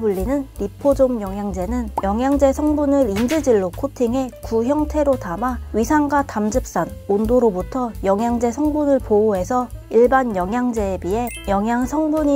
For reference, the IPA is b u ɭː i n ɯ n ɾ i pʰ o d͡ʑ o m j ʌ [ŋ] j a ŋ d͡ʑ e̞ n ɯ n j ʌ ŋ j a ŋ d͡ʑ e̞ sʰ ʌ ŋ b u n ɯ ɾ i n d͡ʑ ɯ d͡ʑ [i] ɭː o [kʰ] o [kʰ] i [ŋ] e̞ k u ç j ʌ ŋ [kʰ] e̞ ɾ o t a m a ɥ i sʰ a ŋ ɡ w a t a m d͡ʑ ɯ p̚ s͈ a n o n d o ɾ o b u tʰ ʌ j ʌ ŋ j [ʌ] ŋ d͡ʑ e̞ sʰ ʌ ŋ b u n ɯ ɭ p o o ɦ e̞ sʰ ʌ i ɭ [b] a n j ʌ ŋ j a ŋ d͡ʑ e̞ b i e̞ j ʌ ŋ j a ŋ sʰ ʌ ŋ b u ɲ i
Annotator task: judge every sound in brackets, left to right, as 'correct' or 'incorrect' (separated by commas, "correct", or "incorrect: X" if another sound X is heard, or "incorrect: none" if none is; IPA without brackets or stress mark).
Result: correct, correct, correct, incorrect: tʰ, correct, incorrect: tʰ, incorrect: a, correct